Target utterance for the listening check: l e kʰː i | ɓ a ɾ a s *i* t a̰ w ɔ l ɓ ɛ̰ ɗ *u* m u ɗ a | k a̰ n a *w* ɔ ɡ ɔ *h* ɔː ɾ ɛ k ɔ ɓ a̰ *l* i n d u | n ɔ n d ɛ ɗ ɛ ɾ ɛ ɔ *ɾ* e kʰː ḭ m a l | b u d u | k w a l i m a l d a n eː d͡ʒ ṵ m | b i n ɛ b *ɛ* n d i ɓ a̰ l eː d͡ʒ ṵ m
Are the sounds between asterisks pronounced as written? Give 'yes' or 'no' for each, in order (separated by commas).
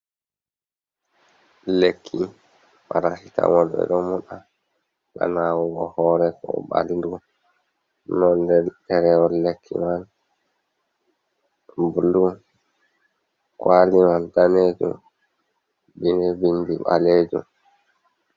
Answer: yes, no, yes, yes, yes, no, no